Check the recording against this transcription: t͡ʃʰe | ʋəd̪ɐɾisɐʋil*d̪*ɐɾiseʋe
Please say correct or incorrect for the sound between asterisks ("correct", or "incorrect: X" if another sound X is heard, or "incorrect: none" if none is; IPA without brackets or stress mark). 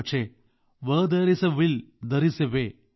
correct